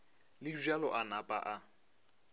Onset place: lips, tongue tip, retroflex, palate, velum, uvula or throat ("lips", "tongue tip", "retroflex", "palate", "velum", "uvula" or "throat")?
tongue tip